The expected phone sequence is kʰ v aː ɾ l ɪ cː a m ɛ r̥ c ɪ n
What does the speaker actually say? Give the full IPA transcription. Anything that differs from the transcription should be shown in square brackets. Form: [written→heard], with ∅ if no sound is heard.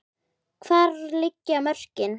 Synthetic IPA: kʰ v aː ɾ l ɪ cː a m [ɛ→œ] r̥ c ɪ n